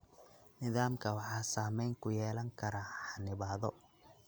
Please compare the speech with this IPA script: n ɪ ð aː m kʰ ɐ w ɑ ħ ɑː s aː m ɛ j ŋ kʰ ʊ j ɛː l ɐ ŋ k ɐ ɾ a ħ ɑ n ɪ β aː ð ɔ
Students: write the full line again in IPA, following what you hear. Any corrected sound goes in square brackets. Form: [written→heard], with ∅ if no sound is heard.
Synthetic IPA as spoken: n ɪ ð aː m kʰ ɐ w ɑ ħ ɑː s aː m ɛ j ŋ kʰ ʊ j ɛː l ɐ ŋ [k→kʰ] ɐ ɾ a ħ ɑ n ɪ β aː ð ɔ